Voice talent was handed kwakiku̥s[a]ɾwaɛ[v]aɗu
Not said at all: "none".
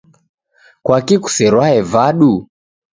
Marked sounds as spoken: ɛ, v

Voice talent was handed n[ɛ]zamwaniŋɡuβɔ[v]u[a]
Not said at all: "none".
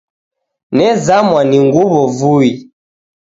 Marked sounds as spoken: ɛ, v, i

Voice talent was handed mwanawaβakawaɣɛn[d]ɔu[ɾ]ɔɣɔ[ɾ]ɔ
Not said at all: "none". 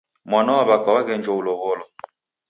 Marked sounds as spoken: d͡ʒ, l, l

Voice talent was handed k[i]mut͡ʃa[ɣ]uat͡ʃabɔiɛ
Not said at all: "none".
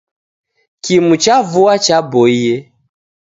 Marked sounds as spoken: i, v

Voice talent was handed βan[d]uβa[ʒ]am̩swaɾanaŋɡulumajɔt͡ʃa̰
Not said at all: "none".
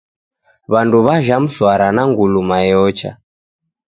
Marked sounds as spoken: d, ʒ

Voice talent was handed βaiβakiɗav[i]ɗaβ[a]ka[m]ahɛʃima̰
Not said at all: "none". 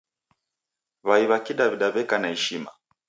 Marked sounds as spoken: i, ɛ, n

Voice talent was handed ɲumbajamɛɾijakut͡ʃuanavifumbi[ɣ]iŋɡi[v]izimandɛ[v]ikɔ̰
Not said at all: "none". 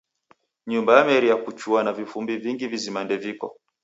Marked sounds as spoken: v, v, v

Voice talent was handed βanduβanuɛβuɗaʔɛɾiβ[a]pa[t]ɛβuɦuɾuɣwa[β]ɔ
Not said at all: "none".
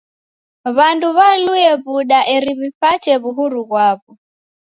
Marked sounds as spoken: i, t͡ʃ, β

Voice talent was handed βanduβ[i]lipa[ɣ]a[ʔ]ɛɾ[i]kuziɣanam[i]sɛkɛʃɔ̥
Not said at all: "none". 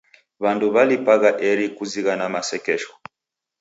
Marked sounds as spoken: a, ɣ, ʔ, i, a

